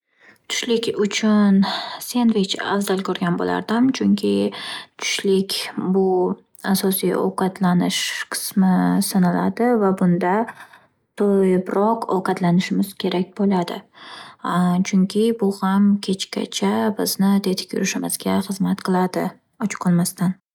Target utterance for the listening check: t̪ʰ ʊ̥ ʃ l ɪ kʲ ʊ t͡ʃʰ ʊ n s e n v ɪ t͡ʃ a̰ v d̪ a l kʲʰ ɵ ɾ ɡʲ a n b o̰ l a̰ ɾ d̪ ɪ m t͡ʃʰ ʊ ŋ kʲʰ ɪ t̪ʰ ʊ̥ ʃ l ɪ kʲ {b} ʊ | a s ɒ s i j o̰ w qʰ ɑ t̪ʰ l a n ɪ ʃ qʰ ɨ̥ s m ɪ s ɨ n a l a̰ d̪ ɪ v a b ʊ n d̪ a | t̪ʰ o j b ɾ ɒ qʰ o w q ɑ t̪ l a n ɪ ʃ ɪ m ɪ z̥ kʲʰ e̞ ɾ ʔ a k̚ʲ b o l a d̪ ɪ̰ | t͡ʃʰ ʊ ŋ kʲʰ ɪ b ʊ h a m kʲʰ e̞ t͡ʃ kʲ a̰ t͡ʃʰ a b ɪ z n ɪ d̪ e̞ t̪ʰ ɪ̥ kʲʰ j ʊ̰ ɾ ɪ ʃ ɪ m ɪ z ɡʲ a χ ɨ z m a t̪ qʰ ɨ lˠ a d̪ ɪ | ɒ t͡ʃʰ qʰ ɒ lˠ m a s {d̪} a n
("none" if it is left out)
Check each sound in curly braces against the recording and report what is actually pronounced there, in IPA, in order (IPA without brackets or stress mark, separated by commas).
b, t̪